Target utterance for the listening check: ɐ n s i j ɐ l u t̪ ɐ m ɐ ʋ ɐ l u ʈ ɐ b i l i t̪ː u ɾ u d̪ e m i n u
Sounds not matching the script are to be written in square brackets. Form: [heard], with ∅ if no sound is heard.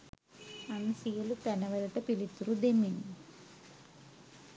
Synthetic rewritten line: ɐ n s i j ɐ l u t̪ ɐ [n] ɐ ʋ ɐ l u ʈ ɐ [p] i l i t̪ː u ɾ u d̪ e m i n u

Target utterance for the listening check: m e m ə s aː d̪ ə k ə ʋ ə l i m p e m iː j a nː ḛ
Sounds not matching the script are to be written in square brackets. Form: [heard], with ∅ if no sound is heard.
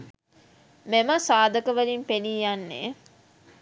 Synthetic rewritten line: m e m ə s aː d̪ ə k ə ʋ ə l i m p e [n] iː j a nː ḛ

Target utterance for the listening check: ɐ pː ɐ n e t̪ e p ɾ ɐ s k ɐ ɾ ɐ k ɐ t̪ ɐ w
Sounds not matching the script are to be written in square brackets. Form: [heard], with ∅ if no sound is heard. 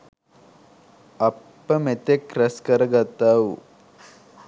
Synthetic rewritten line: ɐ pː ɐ [m] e t̪ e [k] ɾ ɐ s k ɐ ɾ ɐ [ɡ] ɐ t̪ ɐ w

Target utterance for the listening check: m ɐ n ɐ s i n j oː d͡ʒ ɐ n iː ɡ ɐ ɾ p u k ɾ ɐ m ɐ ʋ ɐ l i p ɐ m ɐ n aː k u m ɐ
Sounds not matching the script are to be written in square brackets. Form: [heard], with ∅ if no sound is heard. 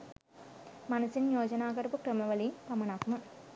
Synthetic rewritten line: m ɐ n ɐ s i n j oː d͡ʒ ɐ n [aː] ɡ ɐ ɾ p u k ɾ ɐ m ɐ ʋ ɐ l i p ɐ m ɐ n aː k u m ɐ

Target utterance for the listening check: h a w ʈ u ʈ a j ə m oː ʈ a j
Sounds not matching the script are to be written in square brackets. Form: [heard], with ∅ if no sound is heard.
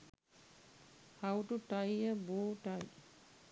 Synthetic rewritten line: h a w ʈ u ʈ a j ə [b] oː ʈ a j

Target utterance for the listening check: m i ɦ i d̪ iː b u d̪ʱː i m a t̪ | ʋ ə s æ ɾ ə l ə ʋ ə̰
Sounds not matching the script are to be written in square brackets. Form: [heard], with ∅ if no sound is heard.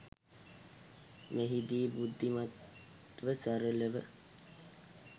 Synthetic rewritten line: m [e] ɦ i d̪ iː b u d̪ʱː i m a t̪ | ʋ ə s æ ɾ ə l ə ʋ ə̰

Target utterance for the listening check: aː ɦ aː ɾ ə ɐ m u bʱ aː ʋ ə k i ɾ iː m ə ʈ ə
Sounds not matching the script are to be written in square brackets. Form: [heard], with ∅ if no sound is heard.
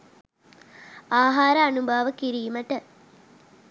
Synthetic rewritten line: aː ɦ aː ɾ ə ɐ [n] u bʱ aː ʋ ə k i ɾ iː m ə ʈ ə

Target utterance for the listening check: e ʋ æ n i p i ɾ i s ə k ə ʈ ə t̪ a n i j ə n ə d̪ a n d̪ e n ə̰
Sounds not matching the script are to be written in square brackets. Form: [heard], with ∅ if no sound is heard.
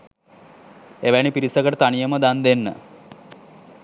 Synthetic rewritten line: e ʋ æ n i p i ɾ i s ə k ə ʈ ə t̪ a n i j ə [m] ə d̪ a n d̪ e [nː] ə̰

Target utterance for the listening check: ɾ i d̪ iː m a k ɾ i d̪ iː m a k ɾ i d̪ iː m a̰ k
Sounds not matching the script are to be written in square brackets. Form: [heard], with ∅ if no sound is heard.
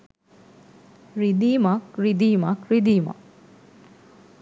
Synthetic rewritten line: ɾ i d̪ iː m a k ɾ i d̪ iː m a k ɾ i d̪ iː m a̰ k

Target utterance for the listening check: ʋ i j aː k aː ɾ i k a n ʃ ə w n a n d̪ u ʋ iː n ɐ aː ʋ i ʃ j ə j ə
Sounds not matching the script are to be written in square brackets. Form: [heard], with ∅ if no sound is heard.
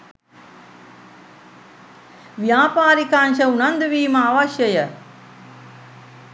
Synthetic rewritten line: ʋ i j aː [p] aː ɾ i k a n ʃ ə [u] n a n d̪ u ʋ iː [m] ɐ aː ʋ [a] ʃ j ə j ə

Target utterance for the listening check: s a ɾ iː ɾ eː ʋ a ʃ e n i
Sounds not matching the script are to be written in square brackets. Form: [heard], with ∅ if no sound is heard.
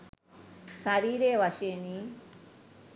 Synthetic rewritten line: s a ɾ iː ɾ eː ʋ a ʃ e n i

